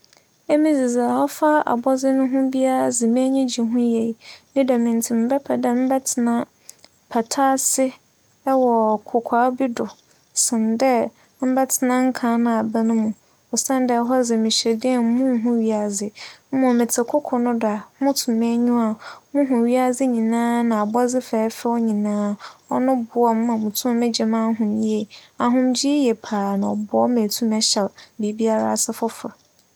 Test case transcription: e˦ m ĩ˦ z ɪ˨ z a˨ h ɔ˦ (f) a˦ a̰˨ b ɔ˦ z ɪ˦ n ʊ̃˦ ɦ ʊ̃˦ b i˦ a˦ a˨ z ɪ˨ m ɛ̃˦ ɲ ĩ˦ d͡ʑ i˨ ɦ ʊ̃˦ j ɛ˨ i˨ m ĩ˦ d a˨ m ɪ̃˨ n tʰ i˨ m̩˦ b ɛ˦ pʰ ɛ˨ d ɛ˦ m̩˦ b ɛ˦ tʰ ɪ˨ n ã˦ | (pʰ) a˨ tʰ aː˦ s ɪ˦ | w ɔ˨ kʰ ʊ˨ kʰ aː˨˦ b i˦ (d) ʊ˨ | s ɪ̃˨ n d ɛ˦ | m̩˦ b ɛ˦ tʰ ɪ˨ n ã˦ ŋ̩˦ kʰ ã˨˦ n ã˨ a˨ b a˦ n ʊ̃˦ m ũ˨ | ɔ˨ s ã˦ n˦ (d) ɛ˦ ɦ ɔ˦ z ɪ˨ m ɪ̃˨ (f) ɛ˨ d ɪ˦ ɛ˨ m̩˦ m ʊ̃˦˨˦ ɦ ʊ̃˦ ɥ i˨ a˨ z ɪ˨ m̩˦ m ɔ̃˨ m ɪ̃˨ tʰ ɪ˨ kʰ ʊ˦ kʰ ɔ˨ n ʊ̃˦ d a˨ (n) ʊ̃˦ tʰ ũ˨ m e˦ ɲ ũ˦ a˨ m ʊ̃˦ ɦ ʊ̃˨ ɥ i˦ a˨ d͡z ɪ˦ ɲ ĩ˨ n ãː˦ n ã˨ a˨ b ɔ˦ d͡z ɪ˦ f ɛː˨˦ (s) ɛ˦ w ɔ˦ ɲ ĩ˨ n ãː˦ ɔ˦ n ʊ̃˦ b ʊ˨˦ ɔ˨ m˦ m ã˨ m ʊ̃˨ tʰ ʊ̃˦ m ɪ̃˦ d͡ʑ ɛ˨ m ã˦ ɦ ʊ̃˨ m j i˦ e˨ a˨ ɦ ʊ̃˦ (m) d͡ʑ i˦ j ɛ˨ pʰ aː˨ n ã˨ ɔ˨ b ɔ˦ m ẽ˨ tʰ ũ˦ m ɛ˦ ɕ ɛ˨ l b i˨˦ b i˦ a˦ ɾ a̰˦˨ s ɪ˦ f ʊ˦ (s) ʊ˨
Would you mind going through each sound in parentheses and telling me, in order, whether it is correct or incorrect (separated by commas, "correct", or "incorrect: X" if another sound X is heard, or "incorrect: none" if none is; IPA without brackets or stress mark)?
correct, correct, correct, correct, incorrect: ɕ, incorrect: m, incorrect: f, correct, incorrect: f